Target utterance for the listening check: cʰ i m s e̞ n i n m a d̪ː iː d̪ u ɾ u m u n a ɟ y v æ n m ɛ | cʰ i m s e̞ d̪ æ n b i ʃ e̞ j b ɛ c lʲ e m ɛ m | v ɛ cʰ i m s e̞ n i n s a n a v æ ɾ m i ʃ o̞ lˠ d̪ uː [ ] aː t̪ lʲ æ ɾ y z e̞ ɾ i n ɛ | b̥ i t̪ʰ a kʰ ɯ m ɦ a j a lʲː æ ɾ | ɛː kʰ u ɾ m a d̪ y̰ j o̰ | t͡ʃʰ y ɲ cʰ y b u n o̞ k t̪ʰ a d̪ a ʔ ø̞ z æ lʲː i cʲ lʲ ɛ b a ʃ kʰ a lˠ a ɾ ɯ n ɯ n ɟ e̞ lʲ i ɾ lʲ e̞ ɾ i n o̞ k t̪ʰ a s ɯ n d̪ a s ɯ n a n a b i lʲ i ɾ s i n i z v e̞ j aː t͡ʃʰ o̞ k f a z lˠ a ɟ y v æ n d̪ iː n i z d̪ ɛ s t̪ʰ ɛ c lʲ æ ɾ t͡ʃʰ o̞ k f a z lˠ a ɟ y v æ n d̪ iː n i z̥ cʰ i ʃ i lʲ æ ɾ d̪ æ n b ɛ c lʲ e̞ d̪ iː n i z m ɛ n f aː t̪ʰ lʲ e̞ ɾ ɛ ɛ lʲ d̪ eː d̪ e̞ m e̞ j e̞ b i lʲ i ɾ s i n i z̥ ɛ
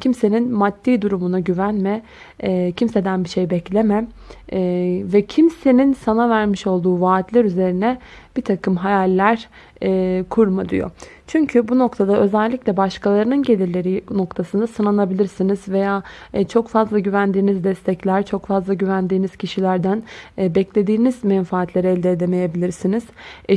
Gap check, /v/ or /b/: v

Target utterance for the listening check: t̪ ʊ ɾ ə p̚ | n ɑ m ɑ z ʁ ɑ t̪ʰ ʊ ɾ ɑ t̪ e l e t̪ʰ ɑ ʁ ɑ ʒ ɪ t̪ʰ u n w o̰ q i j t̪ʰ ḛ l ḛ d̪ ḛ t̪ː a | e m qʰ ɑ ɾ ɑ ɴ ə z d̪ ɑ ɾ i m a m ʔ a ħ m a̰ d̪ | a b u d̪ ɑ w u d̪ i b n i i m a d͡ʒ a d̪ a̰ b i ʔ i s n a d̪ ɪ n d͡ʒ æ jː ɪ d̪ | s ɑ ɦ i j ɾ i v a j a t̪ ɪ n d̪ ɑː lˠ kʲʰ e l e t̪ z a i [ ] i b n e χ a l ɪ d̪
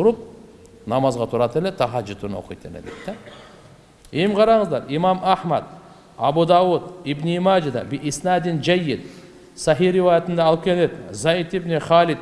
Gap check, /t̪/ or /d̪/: t̪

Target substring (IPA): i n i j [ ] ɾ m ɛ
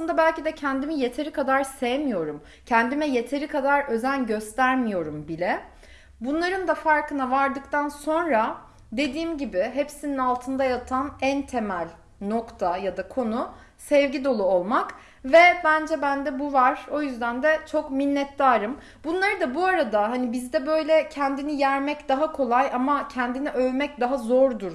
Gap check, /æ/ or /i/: æ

